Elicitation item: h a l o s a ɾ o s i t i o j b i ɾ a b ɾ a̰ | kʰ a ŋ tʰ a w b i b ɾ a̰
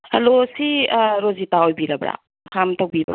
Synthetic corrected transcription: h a l o s i ɾ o z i t a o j b i ɾ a b ɾ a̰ | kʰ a m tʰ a w b i b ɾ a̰